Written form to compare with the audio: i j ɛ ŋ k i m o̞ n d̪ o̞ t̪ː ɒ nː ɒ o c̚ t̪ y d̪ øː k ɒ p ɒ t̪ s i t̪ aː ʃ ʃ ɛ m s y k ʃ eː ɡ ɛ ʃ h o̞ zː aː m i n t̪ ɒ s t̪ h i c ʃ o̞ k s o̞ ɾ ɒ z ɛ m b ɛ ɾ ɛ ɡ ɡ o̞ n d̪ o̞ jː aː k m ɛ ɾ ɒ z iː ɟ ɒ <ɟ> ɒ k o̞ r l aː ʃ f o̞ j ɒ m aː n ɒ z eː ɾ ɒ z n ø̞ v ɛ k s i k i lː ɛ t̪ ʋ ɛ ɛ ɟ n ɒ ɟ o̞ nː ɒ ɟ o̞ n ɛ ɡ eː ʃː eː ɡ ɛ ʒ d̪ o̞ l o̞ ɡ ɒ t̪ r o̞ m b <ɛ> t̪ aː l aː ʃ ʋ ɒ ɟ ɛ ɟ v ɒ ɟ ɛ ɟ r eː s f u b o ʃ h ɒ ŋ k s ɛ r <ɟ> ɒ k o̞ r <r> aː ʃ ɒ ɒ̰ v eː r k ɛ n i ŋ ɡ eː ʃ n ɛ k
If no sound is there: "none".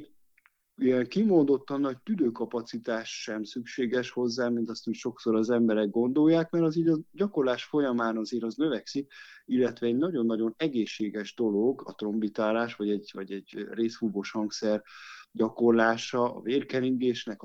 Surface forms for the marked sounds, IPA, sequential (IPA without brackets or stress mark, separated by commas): ɟ, i, ɟ, l